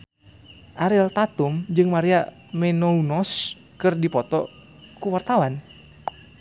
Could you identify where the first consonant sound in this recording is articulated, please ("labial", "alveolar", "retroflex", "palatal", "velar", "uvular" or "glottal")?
glottal